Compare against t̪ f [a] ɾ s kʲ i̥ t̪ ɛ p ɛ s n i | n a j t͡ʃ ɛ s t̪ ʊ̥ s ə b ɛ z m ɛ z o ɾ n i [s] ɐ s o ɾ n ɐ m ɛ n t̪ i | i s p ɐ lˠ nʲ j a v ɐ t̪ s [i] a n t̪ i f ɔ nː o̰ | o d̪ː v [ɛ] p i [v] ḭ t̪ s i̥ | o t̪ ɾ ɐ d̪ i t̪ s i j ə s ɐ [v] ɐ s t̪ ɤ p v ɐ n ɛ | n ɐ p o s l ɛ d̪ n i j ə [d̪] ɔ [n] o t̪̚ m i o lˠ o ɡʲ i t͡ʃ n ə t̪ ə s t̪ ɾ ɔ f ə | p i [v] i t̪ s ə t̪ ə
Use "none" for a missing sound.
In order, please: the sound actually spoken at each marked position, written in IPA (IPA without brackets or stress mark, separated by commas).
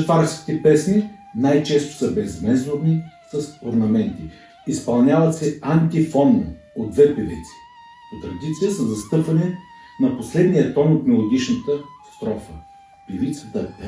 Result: a, s, ɛ, ɛ, v, z, t̪, n, v